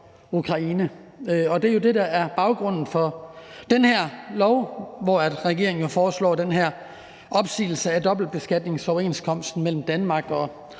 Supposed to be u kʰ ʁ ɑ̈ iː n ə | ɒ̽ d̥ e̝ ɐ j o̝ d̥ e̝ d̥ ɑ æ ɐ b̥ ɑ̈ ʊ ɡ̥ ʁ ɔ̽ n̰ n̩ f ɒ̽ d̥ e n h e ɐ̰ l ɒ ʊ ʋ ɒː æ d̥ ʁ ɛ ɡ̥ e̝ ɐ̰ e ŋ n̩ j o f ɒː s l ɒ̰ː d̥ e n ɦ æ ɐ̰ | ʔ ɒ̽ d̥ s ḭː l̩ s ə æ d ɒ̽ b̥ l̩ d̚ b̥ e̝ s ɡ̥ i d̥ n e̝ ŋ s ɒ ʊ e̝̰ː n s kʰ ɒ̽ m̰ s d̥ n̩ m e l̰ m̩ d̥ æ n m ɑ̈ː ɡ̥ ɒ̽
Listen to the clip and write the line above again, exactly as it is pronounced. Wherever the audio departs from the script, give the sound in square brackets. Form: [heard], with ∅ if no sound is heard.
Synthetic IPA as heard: u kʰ ʁ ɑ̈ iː n ə | ɒ̽ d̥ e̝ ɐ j o̝ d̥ e̝ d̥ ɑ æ ɐ b̥ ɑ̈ ʊ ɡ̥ ʁ ɔ̽ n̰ n̩ f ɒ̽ d̥ e n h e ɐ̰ l ɒ ʊ ʋ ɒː æ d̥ ʁ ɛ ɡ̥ e̝ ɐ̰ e ŋ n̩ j o f ɒː s l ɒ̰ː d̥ e n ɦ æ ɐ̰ | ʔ ɒ̽ [b̥] s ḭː l̩ s ə æ d ɒ̽ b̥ l̩ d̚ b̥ e̝ s ɡ̥ [æ] d̥ n e̝ ŋ s ɒ ʊ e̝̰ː n s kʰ ɒ̽ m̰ s d̥ n̩ m e l̰ m̩ d̥ æ n m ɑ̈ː ɡ̥ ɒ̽